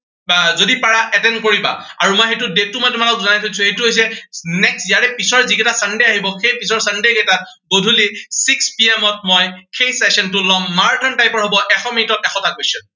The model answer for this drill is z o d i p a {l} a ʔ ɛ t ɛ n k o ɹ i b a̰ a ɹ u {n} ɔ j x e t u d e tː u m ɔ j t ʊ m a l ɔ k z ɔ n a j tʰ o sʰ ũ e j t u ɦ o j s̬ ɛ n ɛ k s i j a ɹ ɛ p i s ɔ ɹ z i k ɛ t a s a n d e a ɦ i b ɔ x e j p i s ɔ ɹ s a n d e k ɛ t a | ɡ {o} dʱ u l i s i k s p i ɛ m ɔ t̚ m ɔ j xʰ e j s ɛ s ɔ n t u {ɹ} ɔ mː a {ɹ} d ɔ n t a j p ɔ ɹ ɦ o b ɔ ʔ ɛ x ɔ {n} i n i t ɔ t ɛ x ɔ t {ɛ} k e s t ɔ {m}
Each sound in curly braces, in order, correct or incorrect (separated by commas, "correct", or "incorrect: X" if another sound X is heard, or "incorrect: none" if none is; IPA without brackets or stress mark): incorrect: ɹ, incorrect: m, correct, incorrect: l, correct, incorrect: m, incorrect: a, incorrect: n